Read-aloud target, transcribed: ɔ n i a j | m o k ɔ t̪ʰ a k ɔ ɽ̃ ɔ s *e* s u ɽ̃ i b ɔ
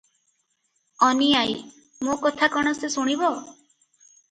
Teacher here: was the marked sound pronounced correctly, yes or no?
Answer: yes